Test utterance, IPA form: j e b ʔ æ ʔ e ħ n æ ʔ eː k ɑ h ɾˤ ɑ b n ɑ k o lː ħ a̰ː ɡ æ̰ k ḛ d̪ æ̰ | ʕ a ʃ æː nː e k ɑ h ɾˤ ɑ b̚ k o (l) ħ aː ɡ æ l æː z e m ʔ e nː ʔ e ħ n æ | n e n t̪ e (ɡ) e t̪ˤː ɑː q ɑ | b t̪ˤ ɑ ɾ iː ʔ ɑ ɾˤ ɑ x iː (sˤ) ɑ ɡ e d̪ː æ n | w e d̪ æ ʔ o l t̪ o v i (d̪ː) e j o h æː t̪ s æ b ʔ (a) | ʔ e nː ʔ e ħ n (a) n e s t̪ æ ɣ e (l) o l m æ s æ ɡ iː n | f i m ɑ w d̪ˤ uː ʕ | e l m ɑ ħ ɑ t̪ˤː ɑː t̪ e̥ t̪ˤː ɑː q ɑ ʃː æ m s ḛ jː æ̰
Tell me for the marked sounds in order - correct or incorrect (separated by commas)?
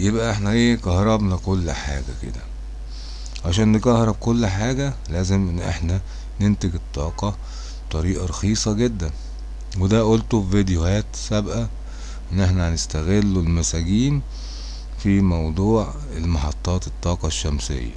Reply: incorrect, correct, correct, incorrect, incorrect, incorrect, incorrect